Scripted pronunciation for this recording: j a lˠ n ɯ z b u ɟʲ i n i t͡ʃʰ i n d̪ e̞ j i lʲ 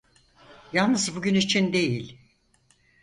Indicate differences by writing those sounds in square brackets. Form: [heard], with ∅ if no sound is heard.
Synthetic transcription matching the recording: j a lˠ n ɯ z b u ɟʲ [y] n i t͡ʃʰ i n d̪ e̞ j i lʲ